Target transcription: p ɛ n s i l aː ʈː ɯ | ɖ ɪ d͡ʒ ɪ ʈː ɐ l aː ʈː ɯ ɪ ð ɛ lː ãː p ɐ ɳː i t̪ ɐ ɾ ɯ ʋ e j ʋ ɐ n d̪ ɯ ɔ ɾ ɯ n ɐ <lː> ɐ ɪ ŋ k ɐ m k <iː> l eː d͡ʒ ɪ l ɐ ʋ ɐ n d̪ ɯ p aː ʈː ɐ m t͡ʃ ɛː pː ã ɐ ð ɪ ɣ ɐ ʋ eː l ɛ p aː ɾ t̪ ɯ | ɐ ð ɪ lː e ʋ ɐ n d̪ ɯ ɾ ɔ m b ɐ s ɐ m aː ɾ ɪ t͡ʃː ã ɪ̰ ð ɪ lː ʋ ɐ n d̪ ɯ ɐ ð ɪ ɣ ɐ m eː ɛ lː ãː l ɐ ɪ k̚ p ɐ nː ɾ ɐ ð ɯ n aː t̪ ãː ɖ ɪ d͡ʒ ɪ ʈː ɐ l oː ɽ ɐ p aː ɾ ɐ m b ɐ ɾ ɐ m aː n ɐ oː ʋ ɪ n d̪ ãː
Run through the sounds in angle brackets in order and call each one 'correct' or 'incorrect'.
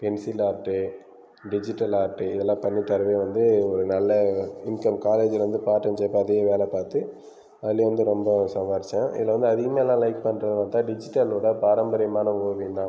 correct, incorrect

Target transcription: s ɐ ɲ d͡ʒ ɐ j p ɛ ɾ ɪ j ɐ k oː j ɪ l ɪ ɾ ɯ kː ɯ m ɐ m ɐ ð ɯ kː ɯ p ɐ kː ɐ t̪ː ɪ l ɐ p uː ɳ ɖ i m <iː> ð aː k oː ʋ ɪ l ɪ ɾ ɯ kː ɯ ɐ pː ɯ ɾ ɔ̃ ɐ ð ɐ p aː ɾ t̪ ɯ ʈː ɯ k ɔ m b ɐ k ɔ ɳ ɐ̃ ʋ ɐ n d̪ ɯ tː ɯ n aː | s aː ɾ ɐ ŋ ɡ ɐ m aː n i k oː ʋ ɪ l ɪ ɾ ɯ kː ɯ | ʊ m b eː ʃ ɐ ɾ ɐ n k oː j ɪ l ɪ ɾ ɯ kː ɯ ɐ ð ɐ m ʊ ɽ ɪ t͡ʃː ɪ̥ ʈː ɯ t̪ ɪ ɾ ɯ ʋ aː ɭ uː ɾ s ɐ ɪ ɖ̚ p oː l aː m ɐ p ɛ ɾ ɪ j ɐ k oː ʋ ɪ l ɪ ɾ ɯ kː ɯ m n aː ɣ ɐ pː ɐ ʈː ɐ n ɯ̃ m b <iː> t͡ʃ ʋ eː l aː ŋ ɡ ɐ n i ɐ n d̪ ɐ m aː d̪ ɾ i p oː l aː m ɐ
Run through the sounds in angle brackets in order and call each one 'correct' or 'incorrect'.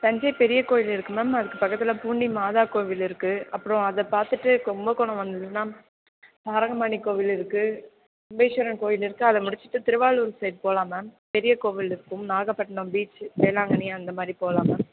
incorrect, correct

